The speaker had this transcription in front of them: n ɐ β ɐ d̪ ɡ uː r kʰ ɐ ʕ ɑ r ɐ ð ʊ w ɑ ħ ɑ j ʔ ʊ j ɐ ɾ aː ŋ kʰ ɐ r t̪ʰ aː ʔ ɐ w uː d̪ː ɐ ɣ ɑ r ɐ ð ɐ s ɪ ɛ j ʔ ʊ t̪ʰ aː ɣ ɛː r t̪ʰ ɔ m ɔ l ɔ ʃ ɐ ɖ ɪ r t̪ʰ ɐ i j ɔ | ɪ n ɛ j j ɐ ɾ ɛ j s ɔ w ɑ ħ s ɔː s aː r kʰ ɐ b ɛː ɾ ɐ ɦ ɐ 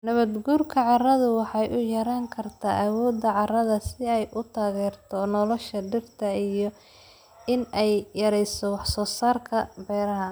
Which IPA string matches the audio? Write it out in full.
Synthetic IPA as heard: n ɐ β ɐ d̪ ɡ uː r kʰ ɐ ʕ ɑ r ɐ ð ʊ w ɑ ħ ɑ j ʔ ʊ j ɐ ɾ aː ŋ kʰ ɐ r t̪ʰ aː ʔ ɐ w ɔː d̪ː ɐ ʕ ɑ r ɐ ð ɐ s ɪ ɛ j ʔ ʊ t̪ʰ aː ɣ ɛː r t̪ʰ ɔ n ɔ l ɔ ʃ ɐ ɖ ɪ r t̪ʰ ɐ i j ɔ | ɪ n ɛ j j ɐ ɾ ɛ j s ɔ w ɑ ħ s ɔː s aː r kʰ ɐ b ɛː ɾ ɐ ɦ ɐ

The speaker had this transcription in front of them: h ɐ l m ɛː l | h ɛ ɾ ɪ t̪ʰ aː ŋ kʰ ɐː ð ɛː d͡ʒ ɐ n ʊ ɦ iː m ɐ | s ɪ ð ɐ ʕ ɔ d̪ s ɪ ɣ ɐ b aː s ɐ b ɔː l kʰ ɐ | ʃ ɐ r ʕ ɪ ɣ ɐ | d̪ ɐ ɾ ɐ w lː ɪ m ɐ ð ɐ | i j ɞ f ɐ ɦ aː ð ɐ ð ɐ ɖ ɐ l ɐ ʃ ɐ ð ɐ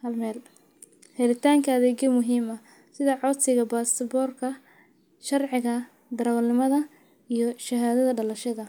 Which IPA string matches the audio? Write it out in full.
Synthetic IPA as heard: h ɐ l m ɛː l | h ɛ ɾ ɪ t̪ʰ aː ŋ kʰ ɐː ð ɛː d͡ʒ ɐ m ʊ ɦ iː m ɐ | s ɪ ð ɐ ʕ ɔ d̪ s ɪ ɣ ɐ b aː s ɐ b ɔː r kʰ ɐ | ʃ ɐ r ʕ ɪ ɣ ɐ | d̪ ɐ ɾ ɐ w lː ɪ m ɐ ð ɐ | i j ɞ ʃ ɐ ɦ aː ð ɐ ð ɐ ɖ ɐ l ɐ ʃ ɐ ð ɐ

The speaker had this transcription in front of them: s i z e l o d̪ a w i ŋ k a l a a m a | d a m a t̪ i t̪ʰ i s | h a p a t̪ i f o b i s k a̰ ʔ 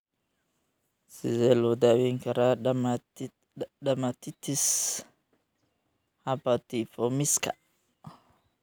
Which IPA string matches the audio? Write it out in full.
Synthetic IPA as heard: s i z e l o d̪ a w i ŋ k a ɾ a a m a | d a m a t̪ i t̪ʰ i s | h a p a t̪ i f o m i s k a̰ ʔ

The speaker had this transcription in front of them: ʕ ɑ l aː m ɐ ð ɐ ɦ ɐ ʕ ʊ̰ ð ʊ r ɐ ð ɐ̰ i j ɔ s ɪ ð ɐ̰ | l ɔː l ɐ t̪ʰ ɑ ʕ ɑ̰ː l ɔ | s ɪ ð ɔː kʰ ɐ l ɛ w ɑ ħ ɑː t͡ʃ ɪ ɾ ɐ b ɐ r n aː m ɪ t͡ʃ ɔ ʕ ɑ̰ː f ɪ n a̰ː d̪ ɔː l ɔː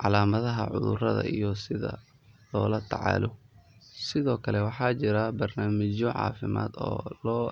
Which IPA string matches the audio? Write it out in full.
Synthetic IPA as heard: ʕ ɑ l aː m ɐ ð ɐ ɦ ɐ ʕ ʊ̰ ð ʊ r ɐ ð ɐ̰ i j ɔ s ɪ ð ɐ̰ | l ɔː l ɐ t̪ʰ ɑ ʕ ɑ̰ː l ɔ | s ɪ ð ɔː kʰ ɐ l ɛ w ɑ ħ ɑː t͡ʃ ɪ ɾ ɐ b ɐ r n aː m ɪ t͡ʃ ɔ ʕ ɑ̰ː f ɪ m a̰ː d̪ ɔː l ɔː

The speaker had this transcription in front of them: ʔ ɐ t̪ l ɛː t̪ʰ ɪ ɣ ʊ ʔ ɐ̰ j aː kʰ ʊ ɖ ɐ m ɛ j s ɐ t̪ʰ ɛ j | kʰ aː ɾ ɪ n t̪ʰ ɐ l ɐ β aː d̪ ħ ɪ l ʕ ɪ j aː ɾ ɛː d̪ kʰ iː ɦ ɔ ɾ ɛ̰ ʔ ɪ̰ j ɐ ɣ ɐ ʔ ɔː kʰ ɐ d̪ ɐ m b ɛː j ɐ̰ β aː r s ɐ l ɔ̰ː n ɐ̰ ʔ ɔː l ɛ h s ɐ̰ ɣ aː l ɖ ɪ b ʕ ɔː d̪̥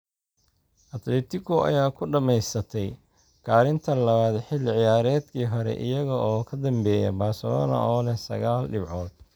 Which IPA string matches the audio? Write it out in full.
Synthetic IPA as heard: ʔ ɐ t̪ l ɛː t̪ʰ ɪ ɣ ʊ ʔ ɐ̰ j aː kʰ ʊ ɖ ɐ m ɛ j s ɐ t̪ʰ ɛ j | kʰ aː ɾ ɪ n t̪ʰ ɐ l ɐ β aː d̪ ħ ɪ l ʕ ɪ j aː ɾ ɛː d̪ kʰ iː ɦ ɔ ɾ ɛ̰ ʔ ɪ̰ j ɐ ɣ ɐ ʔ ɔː kʰ ɐ d̪ ɐ m b ɛː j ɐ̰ b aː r s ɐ l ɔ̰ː n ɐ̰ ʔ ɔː l ɛ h s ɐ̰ ɣ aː l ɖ ɪ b ʕ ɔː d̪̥

